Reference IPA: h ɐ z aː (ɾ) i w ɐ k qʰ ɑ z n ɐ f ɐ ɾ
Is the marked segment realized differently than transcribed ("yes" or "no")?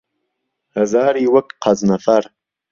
no